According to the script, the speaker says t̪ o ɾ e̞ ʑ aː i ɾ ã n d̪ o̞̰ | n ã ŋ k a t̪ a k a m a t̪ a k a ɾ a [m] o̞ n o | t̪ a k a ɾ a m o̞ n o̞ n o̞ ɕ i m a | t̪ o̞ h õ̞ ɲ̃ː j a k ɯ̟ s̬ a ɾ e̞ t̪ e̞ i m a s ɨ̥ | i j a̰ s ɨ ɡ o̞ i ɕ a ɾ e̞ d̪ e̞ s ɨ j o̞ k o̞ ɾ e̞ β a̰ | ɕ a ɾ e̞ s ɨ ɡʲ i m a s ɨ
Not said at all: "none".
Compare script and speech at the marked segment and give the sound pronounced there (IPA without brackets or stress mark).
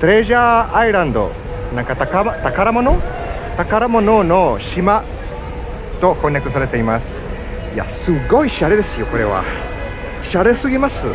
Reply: m